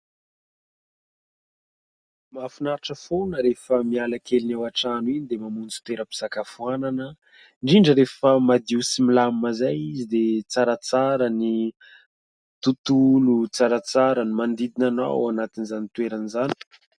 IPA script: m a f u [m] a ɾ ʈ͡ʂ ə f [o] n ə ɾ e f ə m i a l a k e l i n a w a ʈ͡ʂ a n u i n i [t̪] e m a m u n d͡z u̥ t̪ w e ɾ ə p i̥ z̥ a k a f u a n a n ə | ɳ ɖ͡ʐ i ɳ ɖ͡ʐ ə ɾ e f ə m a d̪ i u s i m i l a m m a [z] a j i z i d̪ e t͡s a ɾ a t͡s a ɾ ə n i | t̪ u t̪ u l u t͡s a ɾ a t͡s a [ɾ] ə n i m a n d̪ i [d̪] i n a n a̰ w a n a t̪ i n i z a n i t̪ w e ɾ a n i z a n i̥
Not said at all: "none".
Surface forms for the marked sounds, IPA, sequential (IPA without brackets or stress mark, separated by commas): n, o, d̪, z, ɾ, d̪